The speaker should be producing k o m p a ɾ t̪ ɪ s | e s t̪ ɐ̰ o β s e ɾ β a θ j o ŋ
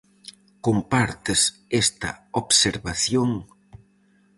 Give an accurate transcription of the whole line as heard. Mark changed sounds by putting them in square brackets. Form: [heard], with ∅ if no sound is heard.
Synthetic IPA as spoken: k o m p a ɾ t̪ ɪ s | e s t̪ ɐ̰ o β s e ɾ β a θ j o ŋ